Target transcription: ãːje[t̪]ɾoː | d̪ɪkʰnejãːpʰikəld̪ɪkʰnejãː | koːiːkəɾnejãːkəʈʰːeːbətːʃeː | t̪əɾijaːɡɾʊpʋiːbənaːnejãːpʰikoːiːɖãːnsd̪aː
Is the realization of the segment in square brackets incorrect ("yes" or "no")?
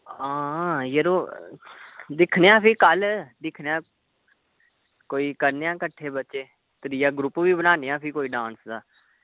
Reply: yes